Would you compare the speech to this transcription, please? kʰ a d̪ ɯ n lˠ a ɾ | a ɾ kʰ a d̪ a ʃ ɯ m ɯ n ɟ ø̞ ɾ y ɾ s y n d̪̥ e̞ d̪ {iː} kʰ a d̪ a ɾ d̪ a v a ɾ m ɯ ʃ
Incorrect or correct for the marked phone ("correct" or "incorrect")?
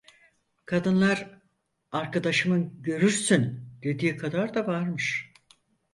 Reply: correct